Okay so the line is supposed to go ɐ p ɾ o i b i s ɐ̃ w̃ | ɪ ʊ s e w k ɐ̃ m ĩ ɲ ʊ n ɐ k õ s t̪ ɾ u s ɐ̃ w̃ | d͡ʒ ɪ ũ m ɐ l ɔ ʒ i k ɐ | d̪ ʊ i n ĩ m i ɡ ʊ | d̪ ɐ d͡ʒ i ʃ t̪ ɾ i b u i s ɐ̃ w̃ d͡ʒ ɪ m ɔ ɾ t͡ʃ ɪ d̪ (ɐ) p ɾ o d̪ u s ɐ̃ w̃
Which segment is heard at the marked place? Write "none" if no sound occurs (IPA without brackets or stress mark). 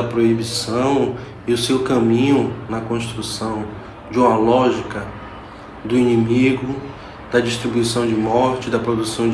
ɐ